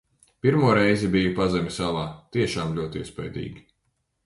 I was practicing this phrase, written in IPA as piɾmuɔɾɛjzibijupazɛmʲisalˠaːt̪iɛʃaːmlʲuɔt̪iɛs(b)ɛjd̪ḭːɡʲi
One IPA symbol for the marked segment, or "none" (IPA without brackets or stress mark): p